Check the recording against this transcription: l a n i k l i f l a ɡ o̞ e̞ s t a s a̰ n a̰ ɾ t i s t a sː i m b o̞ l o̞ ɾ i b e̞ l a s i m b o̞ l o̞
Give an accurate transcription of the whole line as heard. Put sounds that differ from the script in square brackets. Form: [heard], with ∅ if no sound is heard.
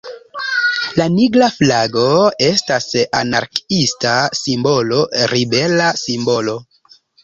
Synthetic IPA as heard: l a n i [ɡ] l [a] f l a ɡ o̞ e̞ s t a s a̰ n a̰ ɾ [k] i s t a [s] i m b o̞ l o̞ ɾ i b e̞ l a s i m b o̞ l o̞